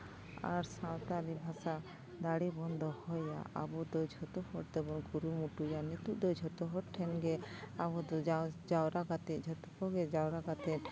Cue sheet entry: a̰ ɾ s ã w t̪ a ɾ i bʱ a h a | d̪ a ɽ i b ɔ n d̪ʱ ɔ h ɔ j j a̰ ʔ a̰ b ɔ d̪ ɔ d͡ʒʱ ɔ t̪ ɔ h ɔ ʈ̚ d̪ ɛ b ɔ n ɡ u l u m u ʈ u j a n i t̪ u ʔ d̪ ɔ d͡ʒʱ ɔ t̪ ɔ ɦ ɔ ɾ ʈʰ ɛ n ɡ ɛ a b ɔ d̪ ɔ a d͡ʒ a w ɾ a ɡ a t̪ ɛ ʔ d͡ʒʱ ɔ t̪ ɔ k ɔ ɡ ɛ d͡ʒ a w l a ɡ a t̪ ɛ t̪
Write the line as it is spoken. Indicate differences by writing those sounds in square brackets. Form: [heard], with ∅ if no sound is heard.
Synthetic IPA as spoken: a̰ ɾ s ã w t̪ a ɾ i bʱ a [s] a | d̪ a ɽ i b ɔ n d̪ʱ ɔ h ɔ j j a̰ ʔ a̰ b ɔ d̪ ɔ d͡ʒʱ ɔ t̪ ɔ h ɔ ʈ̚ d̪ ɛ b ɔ n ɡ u [ɾ] u m u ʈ u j a n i t̪ u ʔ d̪ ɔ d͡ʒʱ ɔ t̪ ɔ ɦ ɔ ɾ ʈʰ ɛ n ɡ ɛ a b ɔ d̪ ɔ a d͡ʒ a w ɾ a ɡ a t̪ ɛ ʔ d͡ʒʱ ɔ t̪ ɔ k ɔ ɡ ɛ d͡ʒ a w [ɾ] a ɡ a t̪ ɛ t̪